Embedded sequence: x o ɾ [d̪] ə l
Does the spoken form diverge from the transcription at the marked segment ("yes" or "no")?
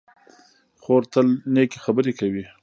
yes